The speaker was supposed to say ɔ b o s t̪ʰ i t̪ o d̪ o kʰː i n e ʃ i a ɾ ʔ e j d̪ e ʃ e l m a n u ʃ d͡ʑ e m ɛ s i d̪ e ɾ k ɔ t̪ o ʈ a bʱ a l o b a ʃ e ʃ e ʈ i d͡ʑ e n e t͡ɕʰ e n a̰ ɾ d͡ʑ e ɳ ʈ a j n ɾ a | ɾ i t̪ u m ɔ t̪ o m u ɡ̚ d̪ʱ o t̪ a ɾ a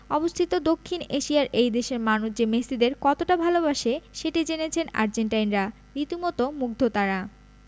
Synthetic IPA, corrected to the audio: ɔ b o s t̪ʰ i t̪ o d̪ o kʰː i n e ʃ i a ɾ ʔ e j d̪ e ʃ e ɾ m a n u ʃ d͡ʑ e m e s i d̪ e ɾ k ɔ t̪ o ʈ a bʱ a l o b a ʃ e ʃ e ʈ i d͡ʑ e n e t͡ɕʰ e n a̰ ɾ d͡ʑ e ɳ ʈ a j n ɾ a | ɾ i t̪ u m ɔ t̪ o m u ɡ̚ d̪ʱ o t̪ a ɾ a